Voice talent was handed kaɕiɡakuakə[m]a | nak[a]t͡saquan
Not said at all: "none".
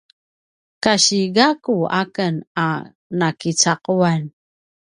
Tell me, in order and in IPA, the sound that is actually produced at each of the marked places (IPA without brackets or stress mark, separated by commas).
n, i